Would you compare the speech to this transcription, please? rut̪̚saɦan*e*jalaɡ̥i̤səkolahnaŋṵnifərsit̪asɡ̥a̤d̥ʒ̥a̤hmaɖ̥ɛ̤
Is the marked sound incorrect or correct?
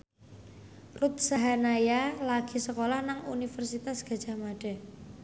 incorrect